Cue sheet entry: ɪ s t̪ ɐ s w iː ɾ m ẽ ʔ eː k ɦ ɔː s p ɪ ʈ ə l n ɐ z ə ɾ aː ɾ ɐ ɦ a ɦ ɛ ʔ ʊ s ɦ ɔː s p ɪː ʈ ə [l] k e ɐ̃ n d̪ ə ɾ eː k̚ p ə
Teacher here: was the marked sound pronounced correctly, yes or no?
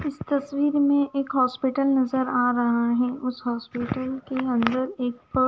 yes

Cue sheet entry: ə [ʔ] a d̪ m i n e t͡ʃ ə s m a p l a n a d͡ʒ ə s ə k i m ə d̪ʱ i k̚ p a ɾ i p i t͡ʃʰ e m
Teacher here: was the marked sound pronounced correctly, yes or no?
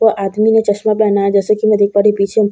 yes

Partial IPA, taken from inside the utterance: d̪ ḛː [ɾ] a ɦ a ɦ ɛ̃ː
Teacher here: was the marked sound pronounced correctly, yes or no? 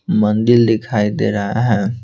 yes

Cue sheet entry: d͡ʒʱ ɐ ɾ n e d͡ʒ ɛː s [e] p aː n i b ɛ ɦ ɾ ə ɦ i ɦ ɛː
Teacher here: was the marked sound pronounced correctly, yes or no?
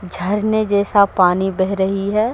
no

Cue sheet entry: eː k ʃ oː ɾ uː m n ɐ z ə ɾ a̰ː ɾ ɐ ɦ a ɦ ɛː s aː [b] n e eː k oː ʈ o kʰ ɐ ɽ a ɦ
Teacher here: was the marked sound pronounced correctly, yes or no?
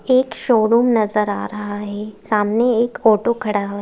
no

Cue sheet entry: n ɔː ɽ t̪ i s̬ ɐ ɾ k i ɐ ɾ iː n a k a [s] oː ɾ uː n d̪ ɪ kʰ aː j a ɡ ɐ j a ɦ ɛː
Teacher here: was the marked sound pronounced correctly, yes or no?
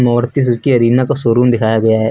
yes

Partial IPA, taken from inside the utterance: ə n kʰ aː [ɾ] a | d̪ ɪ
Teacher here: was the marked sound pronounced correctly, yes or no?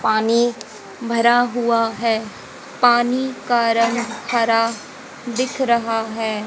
yes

